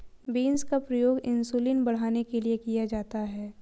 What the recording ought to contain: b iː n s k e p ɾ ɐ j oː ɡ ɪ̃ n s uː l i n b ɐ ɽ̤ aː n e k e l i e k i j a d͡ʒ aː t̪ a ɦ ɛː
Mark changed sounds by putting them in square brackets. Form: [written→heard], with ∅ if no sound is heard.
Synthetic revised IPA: b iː n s k [e→a] p ɾ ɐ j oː ɡ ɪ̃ n s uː l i n b ɐ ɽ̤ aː n e k e l i e k i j a d͡ʒ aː t̪ a ɦ ɛː